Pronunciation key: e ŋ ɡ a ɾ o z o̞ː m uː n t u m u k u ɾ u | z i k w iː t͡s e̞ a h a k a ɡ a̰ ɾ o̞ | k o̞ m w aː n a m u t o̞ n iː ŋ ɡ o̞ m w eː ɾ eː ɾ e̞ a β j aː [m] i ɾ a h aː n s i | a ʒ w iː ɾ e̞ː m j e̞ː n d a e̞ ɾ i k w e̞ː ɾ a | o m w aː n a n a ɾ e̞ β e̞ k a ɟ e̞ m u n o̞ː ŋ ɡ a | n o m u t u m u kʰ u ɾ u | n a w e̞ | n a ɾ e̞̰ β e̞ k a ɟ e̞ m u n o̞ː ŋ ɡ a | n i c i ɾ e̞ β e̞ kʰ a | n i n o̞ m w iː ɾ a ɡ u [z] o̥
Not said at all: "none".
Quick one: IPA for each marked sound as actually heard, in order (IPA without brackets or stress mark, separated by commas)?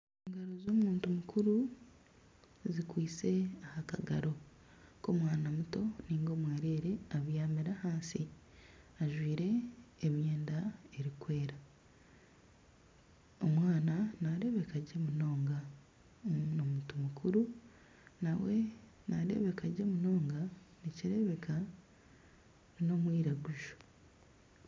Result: m, ʒ